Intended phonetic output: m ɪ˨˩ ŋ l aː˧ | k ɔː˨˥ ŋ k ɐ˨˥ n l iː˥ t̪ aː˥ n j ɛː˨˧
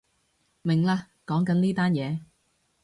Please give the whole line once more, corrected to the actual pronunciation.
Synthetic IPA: m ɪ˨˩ ŋ l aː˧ | k ɔː˨˥ ŋ k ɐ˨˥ n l iː˥ t̪ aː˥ n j ɛː˨˧